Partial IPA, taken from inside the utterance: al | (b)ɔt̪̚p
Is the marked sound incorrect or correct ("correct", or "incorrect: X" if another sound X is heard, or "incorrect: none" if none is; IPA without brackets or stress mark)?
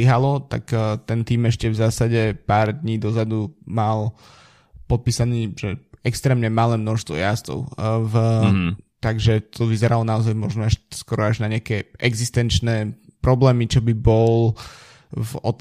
incorrect: p